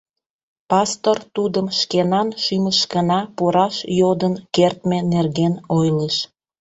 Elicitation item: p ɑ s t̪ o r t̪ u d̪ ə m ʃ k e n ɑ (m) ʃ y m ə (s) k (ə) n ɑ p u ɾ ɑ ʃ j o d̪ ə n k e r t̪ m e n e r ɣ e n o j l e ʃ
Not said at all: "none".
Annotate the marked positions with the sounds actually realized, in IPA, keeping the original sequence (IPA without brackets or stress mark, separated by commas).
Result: n, ʃ, ə